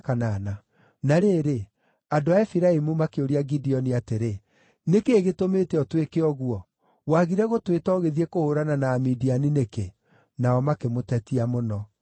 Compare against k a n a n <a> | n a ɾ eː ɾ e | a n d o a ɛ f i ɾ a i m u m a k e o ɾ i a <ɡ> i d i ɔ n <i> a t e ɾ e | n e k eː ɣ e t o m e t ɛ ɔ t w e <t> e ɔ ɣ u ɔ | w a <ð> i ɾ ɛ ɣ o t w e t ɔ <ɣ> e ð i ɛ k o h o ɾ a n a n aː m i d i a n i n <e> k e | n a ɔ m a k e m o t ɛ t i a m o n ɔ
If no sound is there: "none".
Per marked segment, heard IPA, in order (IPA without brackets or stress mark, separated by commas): a, ɡ, i, k, ɣ, ɣ, e